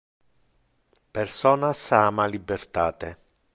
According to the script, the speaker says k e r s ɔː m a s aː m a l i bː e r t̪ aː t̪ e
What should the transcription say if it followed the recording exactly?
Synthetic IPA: p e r s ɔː n a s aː m a l i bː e r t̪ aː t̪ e